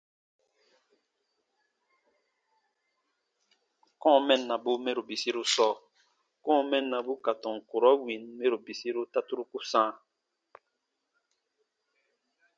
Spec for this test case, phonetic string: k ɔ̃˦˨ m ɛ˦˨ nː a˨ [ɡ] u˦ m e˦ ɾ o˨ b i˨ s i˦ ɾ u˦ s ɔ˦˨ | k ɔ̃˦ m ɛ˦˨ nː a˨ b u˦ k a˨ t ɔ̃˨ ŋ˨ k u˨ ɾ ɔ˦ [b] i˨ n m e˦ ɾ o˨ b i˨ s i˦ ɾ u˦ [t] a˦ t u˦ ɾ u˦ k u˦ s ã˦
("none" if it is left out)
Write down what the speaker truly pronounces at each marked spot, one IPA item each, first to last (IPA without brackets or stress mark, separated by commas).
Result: b, w, t